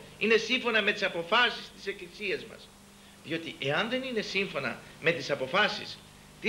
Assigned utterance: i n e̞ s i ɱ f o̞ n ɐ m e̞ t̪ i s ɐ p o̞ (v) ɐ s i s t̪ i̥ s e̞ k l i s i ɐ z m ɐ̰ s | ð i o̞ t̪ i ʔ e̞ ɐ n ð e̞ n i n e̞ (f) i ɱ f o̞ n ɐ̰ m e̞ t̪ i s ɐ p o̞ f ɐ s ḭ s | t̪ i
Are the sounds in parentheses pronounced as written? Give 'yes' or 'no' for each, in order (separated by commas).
no, no